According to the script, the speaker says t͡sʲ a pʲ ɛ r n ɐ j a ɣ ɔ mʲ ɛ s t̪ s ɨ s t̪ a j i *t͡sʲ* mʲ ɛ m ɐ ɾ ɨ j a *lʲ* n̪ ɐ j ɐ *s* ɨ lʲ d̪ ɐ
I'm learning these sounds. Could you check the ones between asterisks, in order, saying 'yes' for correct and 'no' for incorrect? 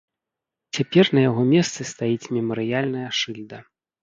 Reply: yes, yes, no

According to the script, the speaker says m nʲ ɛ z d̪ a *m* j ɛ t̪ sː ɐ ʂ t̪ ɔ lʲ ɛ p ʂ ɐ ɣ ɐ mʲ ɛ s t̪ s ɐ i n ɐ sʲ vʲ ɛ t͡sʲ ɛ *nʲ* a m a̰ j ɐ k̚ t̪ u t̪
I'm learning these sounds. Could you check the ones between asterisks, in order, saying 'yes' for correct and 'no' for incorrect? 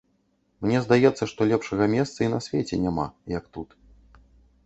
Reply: no, yes

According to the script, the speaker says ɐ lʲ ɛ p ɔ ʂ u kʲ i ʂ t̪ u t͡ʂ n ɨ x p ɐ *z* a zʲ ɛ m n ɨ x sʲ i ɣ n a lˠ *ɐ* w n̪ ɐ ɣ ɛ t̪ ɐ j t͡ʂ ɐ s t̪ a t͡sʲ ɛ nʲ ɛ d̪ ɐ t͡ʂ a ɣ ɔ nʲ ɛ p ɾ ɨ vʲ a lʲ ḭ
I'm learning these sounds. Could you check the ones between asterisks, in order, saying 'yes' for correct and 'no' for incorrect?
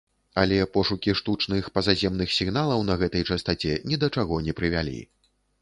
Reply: yes, yes

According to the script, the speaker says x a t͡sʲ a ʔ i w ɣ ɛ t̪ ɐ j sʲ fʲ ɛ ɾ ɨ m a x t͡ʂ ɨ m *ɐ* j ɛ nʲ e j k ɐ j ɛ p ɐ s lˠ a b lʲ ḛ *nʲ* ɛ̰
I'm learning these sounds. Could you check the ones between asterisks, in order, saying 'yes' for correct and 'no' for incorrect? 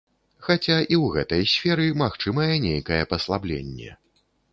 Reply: yes, no

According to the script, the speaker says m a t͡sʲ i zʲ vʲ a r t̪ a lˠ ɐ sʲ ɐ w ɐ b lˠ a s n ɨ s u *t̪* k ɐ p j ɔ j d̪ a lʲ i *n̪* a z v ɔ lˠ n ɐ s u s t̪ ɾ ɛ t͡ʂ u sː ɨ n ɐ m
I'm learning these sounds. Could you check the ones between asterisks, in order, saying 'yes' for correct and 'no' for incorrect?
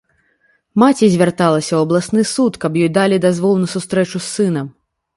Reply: yes, no

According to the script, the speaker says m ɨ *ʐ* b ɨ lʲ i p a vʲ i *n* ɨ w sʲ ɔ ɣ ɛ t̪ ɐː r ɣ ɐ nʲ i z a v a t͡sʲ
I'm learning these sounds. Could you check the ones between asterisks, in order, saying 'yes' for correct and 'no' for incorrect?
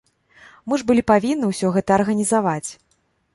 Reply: yes, no

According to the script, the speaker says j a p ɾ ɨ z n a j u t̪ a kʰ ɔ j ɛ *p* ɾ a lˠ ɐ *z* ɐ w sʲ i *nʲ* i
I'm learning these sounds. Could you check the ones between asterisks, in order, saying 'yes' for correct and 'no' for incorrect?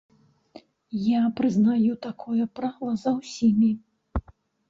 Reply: yes, yes, no

